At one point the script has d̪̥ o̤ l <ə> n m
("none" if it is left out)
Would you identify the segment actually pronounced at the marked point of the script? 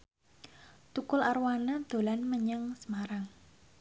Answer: a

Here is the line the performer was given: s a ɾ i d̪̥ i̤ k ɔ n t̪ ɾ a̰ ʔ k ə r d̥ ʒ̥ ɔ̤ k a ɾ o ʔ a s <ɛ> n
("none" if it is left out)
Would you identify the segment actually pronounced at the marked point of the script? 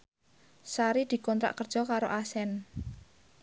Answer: ɛ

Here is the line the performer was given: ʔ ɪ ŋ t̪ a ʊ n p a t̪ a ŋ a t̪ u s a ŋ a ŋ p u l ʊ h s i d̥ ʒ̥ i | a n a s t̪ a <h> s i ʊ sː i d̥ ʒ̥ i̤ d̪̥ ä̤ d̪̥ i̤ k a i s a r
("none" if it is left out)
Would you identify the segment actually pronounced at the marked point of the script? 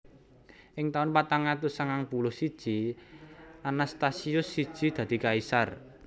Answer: none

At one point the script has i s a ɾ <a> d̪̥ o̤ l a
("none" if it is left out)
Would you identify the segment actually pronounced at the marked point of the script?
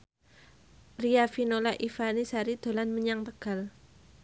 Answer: i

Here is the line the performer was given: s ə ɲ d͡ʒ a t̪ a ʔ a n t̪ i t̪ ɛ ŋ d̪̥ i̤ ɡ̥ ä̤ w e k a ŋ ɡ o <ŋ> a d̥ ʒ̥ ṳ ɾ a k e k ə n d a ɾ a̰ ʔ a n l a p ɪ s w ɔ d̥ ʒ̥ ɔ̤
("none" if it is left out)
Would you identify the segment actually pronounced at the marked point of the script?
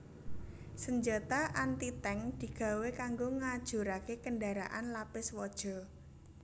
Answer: ŋ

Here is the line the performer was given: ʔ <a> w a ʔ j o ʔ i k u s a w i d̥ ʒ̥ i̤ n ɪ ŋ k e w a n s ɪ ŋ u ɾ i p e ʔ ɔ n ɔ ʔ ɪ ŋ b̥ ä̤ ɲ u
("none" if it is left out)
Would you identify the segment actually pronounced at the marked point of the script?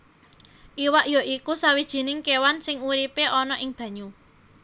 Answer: i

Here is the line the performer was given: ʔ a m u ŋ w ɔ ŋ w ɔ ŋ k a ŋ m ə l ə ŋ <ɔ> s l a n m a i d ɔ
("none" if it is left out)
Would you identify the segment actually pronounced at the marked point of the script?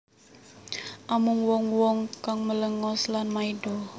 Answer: ɔ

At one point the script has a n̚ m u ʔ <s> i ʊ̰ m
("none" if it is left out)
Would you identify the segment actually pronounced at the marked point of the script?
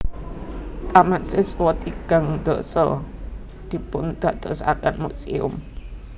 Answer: s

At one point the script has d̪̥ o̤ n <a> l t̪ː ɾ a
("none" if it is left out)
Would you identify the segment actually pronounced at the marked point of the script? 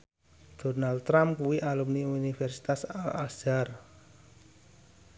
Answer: a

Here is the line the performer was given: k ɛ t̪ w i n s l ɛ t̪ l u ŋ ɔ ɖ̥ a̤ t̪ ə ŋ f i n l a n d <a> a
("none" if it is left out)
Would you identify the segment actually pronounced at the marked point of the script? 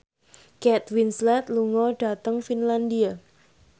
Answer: i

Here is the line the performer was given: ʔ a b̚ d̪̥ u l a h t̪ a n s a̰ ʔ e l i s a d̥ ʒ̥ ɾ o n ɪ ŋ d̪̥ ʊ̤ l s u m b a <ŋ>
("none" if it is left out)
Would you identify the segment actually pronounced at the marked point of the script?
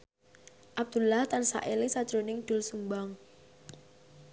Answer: ŋ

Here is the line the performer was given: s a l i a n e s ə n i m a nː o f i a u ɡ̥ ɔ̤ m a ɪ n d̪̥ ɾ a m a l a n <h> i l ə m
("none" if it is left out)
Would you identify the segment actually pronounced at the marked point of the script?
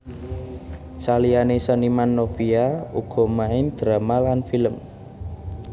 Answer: f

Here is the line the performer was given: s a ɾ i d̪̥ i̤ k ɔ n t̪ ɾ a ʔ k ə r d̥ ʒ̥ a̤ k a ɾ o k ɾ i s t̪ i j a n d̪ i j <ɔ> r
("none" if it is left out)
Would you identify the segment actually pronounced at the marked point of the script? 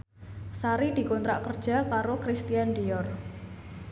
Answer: ɔ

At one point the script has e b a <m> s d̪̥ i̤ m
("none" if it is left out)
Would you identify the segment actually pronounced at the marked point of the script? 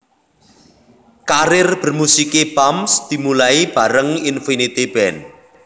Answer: m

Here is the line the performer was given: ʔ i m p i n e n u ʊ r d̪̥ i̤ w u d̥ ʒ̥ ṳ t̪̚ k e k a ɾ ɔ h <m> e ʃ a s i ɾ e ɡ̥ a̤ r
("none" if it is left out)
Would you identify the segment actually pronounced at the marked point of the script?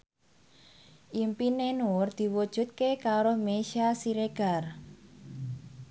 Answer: m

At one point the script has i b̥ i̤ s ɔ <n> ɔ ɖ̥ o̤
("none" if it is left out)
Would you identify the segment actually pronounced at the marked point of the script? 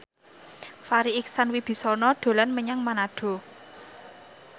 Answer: n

